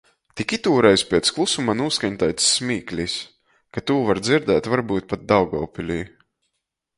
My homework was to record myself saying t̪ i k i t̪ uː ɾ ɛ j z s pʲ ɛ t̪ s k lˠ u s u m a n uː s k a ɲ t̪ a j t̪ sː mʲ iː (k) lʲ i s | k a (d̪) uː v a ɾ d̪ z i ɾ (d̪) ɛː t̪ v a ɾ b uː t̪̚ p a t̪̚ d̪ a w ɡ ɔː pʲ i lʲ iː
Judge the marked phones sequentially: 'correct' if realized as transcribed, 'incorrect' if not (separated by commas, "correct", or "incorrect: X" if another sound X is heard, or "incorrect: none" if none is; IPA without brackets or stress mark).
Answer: correct, incorrect: t̪, correct